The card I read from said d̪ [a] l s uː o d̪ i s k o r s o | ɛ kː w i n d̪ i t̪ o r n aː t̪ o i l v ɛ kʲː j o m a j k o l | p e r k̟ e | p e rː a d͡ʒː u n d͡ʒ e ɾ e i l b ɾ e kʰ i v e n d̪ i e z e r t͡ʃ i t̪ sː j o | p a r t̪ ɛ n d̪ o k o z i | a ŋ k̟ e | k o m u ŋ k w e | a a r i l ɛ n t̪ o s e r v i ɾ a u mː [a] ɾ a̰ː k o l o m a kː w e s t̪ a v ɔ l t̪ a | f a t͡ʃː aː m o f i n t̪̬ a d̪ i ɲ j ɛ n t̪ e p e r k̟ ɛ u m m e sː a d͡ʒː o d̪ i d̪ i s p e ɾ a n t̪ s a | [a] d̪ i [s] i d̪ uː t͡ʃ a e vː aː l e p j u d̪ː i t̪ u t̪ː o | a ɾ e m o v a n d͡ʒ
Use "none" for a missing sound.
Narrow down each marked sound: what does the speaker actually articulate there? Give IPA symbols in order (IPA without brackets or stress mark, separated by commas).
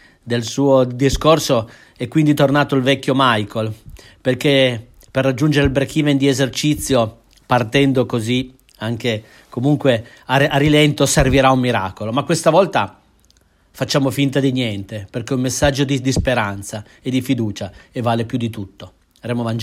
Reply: e, i, e, f